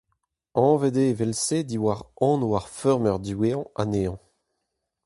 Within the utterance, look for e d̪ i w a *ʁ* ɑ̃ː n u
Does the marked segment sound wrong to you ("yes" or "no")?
no